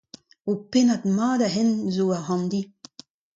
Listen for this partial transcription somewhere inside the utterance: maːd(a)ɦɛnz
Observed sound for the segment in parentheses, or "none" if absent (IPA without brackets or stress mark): a